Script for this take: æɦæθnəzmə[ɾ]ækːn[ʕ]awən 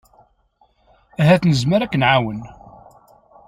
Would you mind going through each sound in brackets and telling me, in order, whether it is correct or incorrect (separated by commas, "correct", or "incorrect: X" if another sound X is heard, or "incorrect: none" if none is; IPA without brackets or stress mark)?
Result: correct, correct